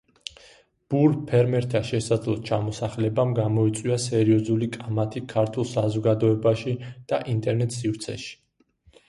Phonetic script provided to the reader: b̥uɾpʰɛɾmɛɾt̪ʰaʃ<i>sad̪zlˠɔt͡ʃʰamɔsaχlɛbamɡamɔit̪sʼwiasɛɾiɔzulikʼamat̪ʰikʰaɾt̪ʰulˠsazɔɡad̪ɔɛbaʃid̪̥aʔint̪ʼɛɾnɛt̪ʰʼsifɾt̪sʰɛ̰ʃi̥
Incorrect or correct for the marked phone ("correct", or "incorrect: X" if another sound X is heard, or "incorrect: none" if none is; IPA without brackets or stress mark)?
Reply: incorrect: ɛ